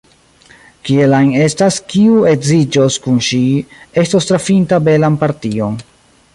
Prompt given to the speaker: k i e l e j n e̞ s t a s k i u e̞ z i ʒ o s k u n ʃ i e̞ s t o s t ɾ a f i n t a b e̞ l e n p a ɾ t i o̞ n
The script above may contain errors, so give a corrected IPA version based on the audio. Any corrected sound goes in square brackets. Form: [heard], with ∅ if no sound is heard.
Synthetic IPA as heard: k i e l [a] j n e̞ s t a s k i u e̞ z i [d͡ʒ] o s k u n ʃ i e̞ s t o s t ɾ a f i n t a b e̞ l [a] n p a ɾ t i o̞ n